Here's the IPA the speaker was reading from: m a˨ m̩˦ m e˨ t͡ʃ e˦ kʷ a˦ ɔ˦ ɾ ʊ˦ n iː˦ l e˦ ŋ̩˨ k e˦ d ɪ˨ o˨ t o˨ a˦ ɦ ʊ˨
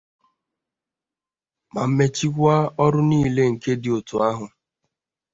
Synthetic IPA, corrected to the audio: m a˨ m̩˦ m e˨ t͡ʃ i˦ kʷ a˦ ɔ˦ ɾ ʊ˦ n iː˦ l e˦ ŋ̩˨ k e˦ d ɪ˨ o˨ t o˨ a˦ ɦ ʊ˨